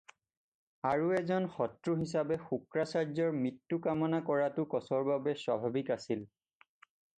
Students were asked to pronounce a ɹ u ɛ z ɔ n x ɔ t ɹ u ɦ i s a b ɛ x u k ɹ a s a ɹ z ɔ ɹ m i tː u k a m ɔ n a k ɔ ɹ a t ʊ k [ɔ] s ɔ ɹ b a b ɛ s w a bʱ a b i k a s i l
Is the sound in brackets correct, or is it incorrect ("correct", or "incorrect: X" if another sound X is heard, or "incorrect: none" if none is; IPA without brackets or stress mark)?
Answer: correct